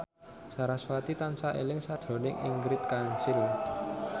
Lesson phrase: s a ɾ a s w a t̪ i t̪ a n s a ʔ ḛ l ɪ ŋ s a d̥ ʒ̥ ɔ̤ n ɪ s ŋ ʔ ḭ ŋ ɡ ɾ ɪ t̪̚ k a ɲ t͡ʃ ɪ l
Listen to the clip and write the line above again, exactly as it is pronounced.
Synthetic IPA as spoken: s a ɾ a s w a t̪ i t̪ a n s a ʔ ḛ l ɪ ŋ s a d̥ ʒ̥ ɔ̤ n ɪ ŋ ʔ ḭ ŋ ɡ ɾ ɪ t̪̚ k a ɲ t͡ʃ ɪ l